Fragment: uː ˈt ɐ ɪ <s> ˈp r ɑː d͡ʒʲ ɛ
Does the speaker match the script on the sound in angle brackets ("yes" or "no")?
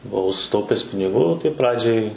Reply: no